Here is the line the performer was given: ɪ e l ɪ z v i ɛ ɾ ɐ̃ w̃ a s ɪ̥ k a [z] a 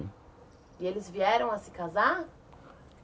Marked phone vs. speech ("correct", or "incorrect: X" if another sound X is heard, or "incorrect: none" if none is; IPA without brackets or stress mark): correct